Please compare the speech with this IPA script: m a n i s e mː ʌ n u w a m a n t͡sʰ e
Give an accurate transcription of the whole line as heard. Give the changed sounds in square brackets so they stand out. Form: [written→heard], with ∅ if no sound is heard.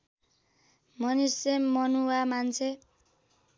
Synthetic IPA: m [a→ʌ] n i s e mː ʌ n u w a m a n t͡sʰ e